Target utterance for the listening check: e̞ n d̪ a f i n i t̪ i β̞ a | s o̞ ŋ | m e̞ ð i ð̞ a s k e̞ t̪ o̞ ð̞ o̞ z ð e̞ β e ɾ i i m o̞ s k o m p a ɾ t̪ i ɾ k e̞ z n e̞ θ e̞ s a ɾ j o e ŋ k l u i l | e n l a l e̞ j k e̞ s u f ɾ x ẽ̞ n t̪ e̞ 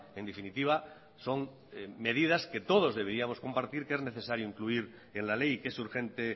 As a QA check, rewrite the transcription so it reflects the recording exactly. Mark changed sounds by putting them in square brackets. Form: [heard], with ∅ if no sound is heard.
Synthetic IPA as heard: e̞ n d̪ [e] f i n i t̪ i β̞ a | s o̞ ŋ | m e̞ ð i ð̞ a s k e̞ t̪ o̞ ð̞ o̞ z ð e̞ β e ɾ i [a] m o̞ s k o m p a ɾ t̪ i ɾ k e̞ z n e̞ θ e̞ s a ɾ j o [i] ŋ k l u i [ɾ] | e n l a l e̞ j k e̞ s u [∅] ɾ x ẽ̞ n t̪ e̞